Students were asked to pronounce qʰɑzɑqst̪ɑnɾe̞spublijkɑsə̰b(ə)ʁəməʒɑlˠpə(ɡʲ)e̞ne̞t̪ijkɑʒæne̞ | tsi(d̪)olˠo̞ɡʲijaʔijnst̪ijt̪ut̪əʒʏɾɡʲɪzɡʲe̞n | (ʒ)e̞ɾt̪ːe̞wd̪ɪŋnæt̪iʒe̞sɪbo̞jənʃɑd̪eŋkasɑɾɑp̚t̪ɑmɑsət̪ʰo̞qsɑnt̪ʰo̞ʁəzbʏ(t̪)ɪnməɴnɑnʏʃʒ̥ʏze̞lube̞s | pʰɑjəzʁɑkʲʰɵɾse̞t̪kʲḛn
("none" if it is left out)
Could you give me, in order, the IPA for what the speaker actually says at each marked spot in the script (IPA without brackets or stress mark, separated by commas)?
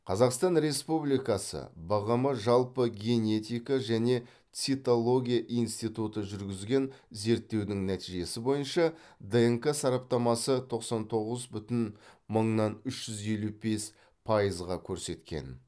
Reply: ɑ, ɡʲ, t̪, z, t̪